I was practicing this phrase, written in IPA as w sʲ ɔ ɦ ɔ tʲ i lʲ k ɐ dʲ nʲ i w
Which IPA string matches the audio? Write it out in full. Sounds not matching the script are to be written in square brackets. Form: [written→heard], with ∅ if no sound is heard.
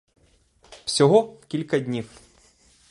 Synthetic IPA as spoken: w sʲ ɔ ɦ ɔ [tʲ→kʲ] i lʲ k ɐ dʲ nʲ i w